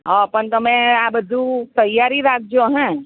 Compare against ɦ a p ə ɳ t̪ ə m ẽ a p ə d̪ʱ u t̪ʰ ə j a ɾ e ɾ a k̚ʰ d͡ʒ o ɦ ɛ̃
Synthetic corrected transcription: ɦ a p ə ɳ t̪ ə m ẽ a b ə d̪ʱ u t̪ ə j a ɾ i ɾ a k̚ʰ d͡ʒ o ɦ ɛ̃